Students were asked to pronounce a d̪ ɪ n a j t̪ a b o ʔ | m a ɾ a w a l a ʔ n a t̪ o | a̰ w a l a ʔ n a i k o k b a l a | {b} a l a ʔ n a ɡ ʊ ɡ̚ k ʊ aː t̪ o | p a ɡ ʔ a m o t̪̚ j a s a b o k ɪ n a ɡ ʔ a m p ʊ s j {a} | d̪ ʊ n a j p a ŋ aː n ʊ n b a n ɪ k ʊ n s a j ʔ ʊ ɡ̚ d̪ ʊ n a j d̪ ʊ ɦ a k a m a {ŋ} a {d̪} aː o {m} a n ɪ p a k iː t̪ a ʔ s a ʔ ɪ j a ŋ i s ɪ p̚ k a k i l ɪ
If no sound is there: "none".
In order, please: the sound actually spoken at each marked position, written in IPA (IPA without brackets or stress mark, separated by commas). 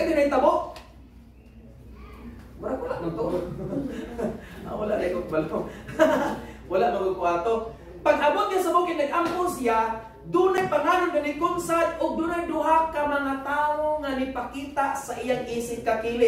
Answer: w, a, ŋ, t̪, ŋ